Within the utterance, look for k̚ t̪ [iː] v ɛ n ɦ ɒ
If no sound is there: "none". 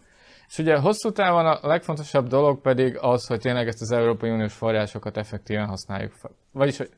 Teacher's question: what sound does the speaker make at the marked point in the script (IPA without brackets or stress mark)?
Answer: iː